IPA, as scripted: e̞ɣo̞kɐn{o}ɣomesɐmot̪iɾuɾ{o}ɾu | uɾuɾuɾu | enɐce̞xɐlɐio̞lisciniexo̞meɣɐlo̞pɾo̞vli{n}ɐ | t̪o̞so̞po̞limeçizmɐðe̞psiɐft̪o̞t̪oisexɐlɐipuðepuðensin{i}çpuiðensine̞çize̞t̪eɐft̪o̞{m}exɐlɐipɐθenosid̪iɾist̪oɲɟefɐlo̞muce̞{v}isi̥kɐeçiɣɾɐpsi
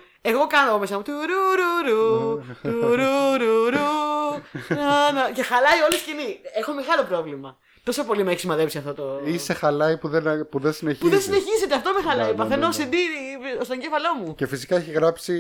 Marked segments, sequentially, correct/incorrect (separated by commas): correct, incorrect, incorrect, incorrect, correct, incorrect